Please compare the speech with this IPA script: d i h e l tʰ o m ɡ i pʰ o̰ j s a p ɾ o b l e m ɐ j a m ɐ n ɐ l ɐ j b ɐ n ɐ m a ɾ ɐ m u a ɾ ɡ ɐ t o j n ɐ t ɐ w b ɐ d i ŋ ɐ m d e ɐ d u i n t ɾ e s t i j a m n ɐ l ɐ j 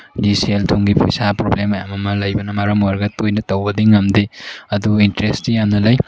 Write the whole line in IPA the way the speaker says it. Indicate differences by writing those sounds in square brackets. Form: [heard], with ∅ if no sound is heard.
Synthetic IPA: d i [s] e l tʰ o [ŋ] ɡ i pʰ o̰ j s a p ɾ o b l e m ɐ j a m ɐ [m] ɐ l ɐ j b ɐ n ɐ m a ɾ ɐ m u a ɾ ɡ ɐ t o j n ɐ t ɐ w b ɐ d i ŋ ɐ m d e ɐ d u i n t ɾ e s t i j a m n ɐ l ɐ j